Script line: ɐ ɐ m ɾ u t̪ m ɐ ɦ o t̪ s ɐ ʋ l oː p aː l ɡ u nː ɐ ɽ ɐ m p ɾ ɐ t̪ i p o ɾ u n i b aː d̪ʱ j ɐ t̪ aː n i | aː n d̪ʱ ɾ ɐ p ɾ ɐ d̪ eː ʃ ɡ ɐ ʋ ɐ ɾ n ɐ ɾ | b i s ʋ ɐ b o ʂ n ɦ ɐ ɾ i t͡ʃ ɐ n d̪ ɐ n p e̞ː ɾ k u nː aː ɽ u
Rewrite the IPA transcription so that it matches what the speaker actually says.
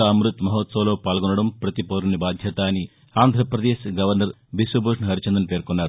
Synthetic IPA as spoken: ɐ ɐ m ɾ u t̪ m ɐ ɦ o t̪ s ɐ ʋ l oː p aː l ɡ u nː ɐ ɽ ɐ m p ɾ ɐ t̪ i p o ɾ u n i b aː d̪ʱ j ɐ t̪ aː n i | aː n d̪ʱ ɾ ɐ p ɾ ɐ d̪ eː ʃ ɡ ɐ ʋ ɐ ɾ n ɐ ɾ | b i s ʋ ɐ b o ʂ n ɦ ɐ ɾ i t͡ʃ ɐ n d̪ ɐ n p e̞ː ɾ k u nː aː ɾ u